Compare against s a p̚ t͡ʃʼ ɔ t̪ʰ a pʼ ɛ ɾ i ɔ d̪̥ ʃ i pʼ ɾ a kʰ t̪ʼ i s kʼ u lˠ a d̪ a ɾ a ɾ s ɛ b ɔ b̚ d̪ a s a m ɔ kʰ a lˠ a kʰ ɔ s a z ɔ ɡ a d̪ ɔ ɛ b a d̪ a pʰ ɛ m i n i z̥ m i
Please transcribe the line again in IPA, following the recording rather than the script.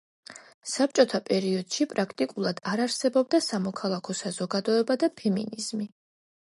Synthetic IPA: s a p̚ t͡ʃʼ ɔ t̪ʰ a pʼ ɛ ɾ i ɔ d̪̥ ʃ i pʼ ɾ a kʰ t̪ʼ i kʼ u lˠ a d̪ a ɾ a ɾ s ɛ b ɔ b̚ d̪ a s a m ɔ kʰ a lˠ a kʰ ɔ s a z ɔ ɡ a d̪ ɔ ɛ b a d̪ a pʰ ɛ m i n i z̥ m i